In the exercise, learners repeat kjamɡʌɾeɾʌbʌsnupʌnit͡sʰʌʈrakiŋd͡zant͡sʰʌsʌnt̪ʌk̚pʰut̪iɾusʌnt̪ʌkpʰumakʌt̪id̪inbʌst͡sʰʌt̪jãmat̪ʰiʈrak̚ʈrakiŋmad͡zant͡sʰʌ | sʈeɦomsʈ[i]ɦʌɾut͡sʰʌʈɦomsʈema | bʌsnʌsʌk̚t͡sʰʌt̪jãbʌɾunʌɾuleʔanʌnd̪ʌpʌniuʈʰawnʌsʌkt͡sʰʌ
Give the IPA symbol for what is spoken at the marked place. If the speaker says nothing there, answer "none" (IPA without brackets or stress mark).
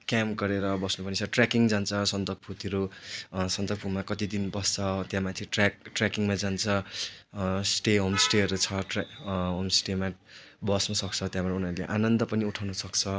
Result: e